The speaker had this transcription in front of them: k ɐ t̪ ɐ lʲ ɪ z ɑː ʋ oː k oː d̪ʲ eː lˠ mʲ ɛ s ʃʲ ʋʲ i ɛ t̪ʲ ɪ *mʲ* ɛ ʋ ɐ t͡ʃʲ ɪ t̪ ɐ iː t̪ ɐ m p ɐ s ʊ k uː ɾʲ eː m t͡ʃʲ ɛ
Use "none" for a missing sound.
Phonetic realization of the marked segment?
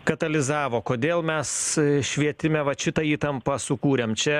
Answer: mʲ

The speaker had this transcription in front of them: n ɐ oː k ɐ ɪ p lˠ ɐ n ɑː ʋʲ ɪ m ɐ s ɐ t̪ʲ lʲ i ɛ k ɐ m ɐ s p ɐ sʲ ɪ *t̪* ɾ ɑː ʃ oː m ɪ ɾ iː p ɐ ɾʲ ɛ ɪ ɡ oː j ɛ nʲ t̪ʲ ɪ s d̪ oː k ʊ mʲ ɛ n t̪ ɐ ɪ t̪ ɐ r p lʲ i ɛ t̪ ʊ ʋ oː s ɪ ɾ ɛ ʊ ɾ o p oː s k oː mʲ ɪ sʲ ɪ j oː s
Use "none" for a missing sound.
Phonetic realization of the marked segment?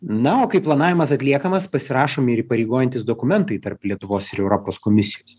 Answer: none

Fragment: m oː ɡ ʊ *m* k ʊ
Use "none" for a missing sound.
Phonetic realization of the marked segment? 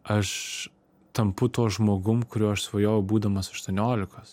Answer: m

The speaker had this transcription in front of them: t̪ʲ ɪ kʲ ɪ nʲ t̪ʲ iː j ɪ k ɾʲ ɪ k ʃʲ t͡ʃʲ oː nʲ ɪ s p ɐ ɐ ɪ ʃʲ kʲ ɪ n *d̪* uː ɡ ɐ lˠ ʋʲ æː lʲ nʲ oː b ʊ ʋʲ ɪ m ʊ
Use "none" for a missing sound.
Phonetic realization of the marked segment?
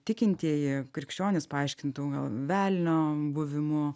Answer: t̪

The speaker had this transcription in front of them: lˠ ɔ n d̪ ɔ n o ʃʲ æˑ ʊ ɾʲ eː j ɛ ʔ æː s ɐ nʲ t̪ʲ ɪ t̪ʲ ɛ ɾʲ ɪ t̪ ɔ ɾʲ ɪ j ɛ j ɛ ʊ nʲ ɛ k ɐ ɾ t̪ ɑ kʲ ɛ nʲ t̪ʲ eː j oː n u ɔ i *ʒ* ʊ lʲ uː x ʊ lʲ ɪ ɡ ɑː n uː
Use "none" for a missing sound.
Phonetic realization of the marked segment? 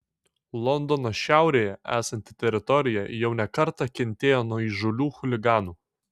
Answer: ʒ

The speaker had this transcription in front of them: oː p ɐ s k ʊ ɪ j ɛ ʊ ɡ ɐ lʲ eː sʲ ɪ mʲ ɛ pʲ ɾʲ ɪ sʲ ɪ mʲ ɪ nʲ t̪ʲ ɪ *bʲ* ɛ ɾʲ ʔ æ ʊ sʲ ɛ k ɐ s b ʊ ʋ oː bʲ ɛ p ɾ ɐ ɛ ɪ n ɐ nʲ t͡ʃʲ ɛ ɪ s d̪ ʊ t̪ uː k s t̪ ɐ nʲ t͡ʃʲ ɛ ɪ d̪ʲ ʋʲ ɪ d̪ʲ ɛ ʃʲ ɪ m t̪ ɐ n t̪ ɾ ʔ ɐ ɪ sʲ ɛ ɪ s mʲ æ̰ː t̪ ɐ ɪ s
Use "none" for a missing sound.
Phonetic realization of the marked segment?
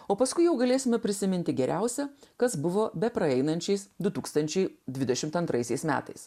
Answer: ɡʲ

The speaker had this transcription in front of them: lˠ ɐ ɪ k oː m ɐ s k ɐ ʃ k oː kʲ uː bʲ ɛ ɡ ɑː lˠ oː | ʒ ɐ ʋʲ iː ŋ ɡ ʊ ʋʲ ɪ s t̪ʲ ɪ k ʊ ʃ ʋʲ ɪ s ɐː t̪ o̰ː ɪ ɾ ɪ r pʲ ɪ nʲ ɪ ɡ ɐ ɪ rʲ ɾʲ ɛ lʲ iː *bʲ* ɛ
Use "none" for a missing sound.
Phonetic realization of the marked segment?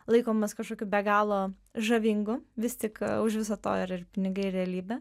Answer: bʲ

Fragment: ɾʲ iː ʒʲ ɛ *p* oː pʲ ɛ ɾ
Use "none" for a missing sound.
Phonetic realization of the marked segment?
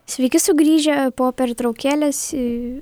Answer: p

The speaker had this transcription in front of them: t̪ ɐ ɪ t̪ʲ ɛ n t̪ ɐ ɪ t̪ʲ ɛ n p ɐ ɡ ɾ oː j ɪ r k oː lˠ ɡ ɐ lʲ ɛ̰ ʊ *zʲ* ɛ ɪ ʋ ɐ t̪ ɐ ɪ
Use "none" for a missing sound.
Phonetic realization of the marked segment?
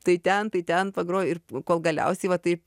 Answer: sʲ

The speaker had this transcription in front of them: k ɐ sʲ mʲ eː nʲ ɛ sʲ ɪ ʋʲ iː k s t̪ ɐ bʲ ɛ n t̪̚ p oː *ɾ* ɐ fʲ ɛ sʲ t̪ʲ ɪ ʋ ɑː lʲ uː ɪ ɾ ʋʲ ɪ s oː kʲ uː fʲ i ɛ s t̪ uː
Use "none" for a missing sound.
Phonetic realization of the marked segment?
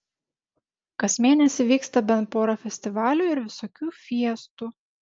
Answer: ɾ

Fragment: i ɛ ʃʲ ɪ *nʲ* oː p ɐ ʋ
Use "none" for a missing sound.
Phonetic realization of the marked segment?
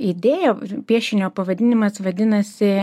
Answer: nʲ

